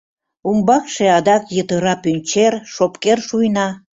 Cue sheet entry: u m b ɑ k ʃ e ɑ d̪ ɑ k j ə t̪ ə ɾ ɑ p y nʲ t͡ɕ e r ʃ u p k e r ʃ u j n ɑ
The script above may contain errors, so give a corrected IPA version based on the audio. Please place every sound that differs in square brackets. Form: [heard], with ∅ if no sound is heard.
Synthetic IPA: u m b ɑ k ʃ e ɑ d̪ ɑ k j ə t̪ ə ɾ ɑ p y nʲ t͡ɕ e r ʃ [o] p k e r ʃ u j n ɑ